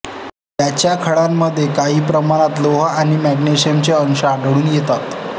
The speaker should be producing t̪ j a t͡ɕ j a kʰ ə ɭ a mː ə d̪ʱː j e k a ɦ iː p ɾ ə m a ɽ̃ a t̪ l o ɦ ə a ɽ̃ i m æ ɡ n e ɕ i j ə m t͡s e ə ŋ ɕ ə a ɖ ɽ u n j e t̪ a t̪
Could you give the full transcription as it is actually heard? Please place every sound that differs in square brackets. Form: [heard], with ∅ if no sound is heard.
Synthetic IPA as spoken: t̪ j a t͡ɕ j a kʰ ə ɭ a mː ə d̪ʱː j e k a ɦ iː p ɾ ə m a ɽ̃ a t̪ l o ɦ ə a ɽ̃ i m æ ɡ n e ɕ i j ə m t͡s e ə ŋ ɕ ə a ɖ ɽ [uː] n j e t̪ a t̪